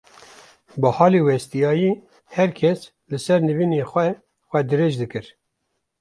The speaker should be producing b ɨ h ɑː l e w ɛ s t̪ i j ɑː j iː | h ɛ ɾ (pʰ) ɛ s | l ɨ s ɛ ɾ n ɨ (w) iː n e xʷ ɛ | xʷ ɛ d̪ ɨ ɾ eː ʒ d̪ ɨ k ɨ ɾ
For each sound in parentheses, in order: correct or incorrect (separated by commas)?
incorrect, incorrect